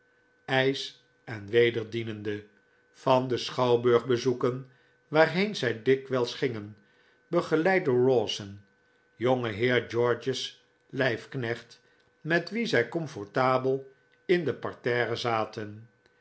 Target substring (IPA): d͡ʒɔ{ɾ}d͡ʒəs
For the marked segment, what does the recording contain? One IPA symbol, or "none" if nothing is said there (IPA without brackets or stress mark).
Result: ɹ